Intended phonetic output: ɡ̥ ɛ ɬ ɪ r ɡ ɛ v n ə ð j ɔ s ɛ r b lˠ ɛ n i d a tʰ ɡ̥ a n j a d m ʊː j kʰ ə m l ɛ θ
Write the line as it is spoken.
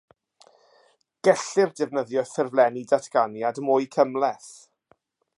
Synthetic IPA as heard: ɡ̥ ɛ ɬ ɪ r d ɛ v n ə ð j ɔ θ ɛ r v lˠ ɛ n i d a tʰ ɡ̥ a n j a d m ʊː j kʰ ə m l ɛ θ